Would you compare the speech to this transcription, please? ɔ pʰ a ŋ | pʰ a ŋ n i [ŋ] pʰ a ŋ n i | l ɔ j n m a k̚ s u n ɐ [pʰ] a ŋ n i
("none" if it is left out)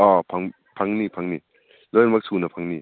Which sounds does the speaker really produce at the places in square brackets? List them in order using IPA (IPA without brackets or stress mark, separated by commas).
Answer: none, pʰ